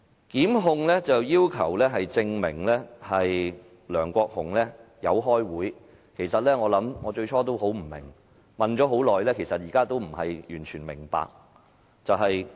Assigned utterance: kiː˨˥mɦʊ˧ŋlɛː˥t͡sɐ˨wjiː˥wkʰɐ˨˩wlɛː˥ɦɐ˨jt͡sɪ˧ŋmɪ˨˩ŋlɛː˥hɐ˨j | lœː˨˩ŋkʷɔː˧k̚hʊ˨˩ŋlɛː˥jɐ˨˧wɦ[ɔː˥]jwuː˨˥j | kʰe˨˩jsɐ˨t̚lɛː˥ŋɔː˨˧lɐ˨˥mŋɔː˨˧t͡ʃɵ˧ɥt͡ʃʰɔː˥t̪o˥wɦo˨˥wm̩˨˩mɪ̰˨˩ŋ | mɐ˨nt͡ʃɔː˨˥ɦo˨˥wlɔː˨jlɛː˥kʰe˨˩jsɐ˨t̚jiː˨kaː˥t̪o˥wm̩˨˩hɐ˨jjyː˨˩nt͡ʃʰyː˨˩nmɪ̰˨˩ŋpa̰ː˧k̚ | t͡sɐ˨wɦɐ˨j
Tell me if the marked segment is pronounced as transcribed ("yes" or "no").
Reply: yes